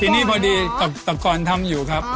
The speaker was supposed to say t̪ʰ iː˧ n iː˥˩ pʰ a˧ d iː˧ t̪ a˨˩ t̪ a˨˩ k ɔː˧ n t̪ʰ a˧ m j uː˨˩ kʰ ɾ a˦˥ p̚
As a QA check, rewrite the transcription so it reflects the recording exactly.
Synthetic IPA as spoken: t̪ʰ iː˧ n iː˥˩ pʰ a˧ d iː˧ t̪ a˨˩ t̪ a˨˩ k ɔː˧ n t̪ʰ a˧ m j uː˨˩ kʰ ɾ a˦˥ p̚